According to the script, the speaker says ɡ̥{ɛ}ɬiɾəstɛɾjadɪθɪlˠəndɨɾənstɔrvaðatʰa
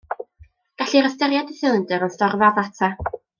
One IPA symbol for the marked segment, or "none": a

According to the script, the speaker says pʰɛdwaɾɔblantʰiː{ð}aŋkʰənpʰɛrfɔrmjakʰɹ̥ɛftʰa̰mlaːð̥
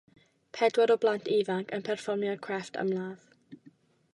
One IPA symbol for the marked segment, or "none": v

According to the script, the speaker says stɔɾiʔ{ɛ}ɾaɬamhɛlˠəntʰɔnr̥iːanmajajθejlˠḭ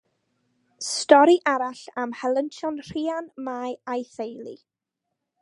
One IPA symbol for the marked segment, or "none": a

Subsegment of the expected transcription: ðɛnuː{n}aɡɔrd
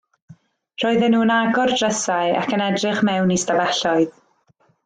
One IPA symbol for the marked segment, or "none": n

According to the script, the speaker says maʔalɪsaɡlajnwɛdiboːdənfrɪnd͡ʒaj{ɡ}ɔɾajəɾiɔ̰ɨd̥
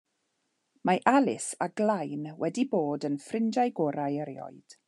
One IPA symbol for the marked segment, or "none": ɡ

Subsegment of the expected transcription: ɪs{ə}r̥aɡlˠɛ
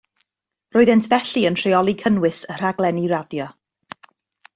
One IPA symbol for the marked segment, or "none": ə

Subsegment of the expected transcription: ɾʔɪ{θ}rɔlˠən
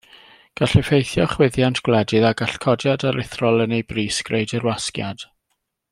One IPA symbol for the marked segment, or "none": θ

